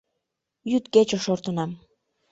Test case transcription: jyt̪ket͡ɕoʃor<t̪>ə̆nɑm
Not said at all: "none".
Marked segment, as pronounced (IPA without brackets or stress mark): t̪